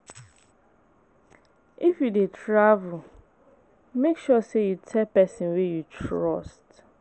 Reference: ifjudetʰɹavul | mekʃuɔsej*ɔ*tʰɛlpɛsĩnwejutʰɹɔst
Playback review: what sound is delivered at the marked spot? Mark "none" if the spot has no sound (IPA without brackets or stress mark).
u